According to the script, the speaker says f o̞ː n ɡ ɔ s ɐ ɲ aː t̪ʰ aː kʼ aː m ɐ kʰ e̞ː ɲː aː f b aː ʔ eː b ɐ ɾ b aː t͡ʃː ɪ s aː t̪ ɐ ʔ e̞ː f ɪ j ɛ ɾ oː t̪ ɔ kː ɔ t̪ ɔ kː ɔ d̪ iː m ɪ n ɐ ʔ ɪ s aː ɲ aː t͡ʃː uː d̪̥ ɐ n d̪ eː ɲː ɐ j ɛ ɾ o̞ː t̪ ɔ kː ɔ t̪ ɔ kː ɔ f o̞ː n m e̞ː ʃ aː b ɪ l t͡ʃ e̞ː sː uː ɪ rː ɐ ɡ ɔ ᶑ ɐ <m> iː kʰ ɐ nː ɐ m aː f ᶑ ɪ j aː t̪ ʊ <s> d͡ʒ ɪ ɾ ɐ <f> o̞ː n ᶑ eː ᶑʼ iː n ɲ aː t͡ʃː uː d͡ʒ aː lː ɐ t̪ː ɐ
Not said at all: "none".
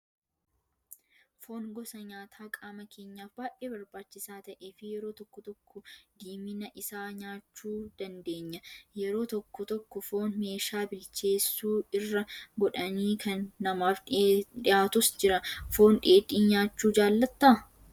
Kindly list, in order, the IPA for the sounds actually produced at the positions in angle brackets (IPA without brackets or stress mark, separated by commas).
n, s, f